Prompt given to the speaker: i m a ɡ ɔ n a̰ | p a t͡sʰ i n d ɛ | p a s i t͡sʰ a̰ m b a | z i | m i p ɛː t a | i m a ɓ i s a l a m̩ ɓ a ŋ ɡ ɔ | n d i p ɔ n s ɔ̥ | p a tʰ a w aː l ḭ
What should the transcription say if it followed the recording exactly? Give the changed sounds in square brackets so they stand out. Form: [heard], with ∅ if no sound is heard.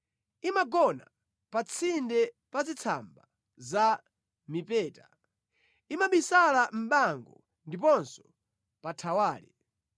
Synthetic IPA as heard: i m a ɡ ɔ n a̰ | p a t͡sʰ i n d ɛ | p a [z] i t͡sʰ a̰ m b a | z [a] | m i p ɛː t a | i m a ɓ i s a l a m̩ ɓ a ŋ ɡ ɔ | n d i p ɔ n s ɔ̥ | p a tʰ a w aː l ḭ

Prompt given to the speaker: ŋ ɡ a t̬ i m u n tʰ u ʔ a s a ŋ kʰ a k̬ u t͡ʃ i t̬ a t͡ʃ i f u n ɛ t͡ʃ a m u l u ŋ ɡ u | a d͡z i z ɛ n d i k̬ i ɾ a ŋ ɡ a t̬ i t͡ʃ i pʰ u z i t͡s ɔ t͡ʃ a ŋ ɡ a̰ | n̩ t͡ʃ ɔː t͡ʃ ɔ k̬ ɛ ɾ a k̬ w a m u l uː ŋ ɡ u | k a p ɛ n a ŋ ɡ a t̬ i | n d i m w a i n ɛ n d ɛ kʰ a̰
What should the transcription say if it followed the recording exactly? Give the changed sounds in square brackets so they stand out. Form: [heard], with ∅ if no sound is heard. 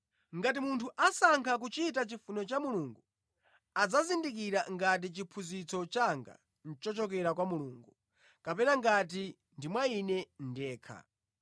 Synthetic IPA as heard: ŋ ɡ a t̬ i m u n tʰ u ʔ a s a ŋ kʰ a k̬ u t͡ʃ i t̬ a t͡ʃ i f u n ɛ t͡ʃ a m u l u ŋ ɡ u | a d͡z [a] z [i] n d i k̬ i ɾ a ŋ ɡ a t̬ i t͡ʃ i pʰ u z i t͡s ɔ t͡ʃ a ŋ ɡ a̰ | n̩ t͡ʃ [ɔ] t͡ʃ ɔ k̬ ɛ ɾ a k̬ w a m u l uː ŋ ɡ u | k a p ɛ n a ŋ ɡ a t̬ i | n d i m w a i n ɛ n d [ɛː] kʰ a̰

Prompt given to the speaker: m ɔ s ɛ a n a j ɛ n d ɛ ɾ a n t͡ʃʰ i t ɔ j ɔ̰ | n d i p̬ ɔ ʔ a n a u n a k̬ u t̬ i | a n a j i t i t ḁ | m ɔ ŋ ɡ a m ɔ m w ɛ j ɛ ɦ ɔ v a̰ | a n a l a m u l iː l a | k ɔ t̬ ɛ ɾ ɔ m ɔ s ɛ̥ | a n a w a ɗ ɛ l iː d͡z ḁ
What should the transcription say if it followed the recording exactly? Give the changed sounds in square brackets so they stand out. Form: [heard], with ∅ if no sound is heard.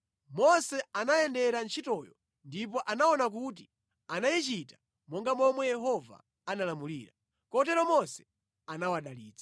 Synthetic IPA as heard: m ɔ s ɛ a n a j ɛ n d ɛ ɾ a n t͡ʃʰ i t ɔ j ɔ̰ | n d i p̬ ɔ ʔ a n a [ɔ] n a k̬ u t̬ i | a n a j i [t͡ʃ] i t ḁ | m ɔ ŋ ɡ a m ɔ m w ɛ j ɛ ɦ ɔ v a̰ | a n a l a m u l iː [ɾ] a | k ɔ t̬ ɛ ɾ ɔ m ɔ s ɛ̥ | a n a w a ɗ [a] l iː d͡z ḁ

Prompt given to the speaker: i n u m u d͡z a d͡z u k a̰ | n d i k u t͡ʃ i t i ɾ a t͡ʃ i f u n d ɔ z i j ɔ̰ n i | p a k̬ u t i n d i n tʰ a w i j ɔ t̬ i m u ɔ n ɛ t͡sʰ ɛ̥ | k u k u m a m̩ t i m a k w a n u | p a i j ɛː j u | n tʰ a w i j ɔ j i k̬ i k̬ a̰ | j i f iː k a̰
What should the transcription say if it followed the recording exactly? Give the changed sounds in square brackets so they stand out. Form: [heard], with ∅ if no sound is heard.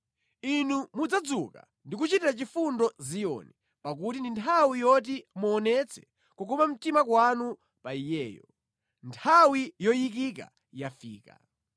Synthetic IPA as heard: i n u m u d͡z a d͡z u k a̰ | n d i k u t͡ʃ i t i ɾ a t͡ʃ i f u n d ɔ z i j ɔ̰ n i | p a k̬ u t i n d i n tʰ a w i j ɔ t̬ i m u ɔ n ɛ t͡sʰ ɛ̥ | k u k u m a m̩ t i m a k w a n u | p a i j ɛː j [ɔ] | n tʰ a w i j ɔ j i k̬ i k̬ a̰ | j [a] f iː k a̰

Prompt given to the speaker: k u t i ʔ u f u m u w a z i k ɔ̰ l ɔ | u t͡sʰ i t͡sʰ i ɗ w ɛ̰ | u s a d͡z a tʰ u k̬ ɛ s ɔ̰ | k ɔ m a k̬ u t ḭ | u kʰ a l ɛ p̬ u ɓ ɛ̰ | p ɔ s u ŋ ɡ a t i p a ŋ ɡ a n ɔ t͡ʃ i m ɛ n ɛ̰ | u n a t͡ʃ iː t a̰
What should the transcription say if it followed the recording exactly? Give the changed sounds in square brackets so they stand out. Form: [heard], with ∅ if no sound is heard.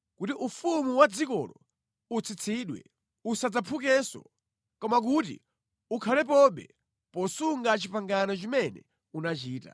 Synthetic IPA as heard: k u t i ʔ u f u m u w a [d͡z] i k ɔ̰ l ɔ | u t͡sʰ i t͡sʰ i ɗ w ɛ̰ | u s a d͡z a [pʰ] u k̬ ɛ s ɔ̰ | k ɔ m a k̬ u t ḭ | u kʰ a l ɛ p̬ [ɔ] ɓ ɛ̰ | p ɔ s u ŋ ɡ a [t͡ʃ] i p a ŋ ɡ a n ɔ t͡ʃ i m ɛ n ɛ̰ | u n a t͡ʃ iː t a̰

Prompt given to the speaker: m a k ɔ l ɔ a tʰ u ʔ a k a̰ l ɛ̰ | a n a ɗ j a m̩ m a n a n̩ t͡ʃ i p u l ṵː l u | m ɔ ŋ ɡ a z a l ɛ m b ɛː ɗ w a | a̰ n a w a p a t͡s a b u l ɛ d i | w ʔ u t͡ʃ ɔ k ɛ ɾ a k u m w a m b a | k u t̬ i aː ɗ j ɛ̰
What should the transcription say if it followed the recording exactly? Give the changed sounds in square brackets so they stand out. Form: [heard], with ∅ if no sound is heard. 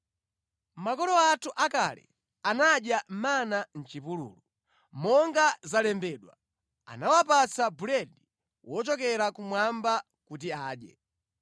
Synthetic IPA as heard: m a k ɔ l ɔ a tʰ u ʔ a k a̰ l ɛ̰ | a n a ɗ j a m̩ m a n a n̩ t͡ʃ i p u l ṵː l u | m ɔ ŋ ɡ a z a l ɛ m b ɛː ɗ w a | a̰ n a w a p a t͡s a b u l ɛ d i | w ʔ [ɔ] t͡ʃ ɔ k ɛ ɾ a k u m w a m b a | k u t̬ i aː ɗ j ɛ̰

